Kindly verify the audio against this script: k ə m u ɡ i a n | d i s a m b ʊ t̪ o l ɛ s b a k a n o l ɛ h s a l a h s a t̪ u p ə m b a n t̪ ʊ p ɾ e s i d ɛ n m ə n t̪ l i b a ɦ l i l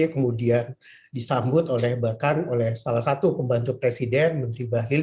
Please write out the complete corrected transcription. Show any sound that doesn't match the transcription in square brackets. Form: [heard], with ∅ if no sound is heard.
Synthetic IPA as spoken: k ə m u [d] i a n | d i s a m b ʊ t̪ o l ɛ [h] b a k a n o l ɛ h s a l a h s a t̪ u p ə m b a n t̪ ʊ p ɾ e s i d ɛ n m ə n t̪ [ɾ] i b a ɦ l i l